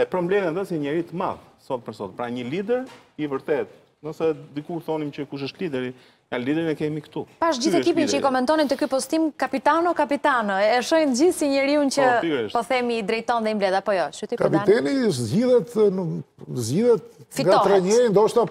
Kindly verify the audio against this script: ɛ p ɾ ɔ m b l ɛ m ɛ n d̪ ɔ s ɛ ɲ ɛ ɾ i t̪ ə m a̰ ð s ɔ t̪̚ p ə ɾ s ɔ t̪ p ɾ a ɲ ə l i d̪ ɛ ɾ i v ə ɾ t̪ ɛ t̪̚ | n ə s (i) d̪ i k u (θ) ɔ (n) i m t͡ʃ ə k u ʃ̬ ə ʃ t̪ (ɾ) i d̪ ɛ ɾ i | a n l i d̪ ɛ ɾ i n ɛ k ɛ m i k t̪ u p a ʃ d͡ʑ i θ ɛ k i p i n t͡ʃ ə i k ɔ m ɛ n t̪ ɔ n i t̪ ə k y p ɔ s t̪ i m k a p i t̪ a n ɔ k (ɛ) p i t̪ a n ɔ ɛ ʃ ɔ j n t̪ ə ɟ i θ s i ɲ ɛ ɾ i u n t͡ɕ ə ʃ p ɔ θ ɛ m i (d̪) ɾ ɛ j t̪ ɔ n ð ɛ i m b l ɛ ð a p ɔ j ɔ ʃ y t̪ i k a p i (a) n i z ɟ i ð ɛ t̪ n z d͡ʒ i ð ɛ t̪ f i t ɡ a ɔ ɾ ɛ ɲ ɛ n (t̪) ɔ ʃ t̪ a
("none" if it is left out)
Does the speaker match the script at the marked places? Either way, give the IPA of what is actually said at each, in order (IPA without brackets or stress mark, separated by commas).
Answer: ɛ, θ, n, l, a, d̪, ɛ, d̪